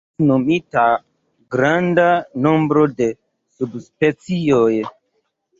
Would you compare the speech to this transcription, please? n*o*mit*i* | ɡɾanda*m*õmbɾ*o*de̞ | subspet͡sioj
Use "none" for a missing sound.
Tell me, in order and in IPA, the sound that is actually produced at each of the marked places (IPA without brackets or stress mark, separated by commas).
o, a, n, o